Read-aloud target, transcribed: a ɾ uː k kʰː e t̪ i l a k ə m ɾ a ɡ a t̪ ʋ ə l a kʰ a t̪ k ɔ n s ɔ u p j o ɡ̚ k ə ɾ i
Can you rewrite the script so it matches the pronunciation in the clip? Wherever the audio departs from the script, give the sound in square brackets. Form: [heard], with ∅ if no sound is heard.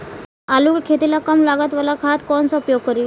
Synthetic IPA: a [l] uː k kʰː e t̪ i l a k ə m [l] a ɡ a t̪ ʋ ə l a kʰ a t̪ k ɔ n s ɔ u p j o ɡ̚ k ə ɾ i